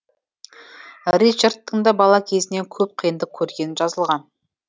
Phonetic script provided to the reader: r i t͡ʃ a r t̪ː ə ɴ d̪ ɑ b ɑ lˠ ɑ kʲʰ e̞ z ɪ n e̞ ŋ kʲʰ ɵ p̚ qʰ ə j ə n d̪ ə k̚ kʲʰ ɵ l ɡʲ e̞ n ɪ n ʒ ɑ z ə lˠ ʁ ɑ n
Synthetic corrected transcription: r i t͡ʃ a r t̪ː ə ɴ d̪ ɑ b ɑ lˠ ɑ kʲʰ e̞ z ɪ n e̞ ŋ kʲʰ ɵ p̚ qʰ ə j ə n d̪ ə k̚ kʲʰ ɵ ɾ ɡʲ e̞ n ɪ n ʒ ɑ z ə lˠ ʁ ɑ n